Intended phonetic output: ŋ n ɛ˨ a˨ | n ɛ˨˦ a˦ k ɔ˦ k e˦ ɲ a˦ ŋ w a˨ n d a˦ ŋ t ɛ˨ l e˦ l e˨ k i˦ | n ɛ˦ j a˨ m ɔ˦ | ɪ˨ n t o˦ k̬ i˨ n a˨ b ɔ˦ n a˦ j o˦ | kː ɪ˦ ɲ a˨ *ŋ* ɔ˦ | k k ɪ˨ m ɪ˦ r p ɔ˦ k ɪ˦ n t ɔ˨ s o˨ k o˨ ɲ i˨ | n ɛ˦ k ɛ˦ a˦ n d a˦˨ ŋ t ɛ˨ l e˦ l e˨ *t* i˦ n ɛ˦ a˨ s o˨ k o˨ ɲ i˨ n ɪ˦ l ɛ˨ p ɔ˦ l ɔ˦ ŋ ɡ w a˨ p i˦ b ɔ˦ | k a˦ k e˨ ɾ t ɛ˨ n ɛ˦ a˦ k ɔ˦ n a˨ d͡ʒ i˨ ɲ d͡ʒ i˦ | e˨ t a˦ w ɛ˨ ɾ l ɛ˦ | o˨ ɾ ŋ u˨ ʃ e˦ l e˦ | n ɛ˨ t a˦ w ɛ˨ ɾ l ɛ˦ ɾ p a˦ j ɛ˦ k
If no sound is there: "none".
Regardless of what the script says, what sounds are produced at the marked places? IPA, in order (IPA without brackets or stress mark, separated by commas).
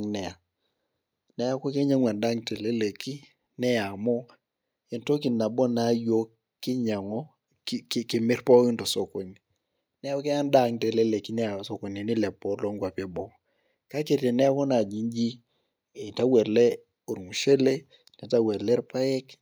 ŋ, k